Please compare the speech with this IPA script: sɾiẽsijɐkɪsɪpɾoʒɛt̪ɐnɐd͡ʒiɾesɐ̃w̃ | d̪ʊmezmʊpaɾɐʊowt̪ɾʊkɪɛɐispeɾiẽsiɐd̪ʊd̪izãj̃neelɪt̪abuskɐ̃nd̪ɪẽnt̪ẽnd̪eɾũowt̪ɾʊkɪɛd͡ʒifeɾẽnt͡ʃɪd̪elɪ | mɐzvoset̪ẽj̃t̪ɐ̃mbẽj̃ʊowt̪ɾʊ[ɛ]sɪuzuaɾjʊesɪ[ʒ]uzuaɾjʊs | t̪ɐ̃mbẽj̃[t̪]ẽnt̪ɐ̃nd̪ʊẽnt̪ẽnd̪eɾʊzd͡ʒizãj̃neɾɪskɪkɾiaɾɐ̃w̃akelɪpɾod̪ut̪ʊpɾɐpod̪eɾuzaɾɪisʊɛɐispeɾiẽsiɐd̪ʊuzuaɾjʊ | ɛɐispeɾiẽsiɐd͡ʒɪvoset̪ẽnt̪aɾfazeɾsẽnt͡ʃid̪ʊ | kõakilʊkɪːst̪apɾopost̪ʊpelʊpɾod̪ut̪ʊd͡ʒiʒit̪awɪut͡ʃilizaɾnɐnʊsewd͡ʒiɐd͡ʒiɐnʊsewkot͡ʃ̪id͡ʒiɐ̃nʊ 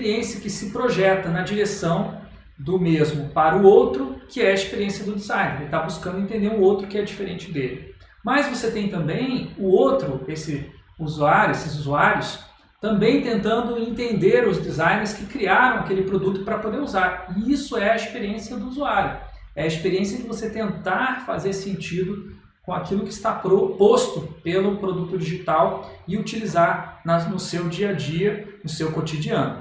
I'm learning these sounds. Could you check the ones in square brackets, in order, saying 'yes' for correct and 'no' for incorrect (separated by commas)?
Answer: no, no, yes